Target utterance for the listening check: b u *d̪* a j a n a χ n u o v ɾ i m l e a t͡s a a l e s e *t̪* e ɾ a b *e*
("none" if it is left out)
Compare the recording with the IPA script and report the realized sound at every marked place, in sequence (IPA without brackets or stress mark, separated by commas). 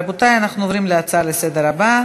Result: t̪, d̪, a